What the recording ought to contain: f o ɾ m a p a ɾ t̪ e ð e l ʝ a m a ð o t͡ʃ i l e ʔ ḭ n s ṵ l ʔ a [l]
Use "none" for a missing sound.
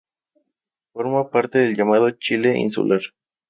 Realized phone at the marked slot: ɾ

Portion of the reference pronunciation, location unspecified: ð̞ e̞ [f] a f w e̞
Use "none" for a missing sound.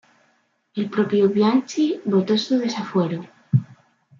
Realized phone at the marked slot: s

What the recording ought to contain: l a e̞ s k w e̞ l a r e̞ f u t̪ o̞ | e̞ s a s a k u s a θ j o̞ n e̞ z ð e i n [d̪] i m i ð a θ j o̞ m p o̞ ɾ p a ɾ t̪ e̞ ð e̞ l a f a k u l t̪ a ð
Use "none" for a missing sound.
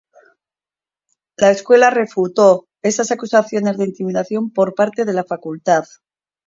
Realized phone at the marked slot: t̪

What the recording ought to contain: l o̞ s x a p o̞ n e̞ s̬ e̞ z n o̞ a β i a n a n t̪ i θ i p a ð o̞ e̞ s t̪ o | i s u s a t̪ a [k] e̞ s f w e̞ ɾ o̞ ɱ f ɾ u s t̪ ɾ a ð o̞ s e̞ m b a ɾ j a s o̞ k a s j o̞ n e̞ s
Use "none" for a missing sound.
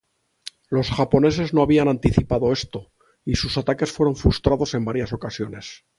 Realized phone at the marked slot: k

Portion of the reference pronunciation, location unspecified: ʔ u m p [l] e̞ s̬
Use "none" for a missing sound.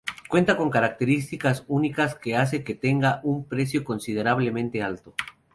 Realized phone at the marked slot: ɾ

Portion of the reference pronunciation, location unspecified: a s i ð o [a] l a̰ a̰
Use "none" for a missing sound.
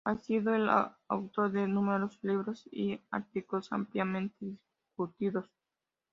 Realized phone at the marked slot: e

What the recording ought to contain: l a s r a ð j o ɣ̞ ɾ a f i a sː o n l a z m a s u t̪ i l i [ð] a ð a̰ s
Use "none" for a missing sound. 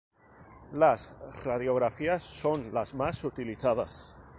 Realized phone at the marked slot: θ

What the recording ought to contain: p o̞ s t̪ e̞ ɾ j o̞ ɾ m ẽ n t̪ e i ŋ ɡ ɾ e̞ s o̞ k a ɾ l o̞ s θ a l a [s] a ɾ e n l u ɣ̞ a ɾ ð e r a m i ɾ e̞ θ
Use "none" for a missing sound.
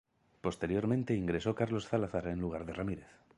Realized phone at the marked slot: θ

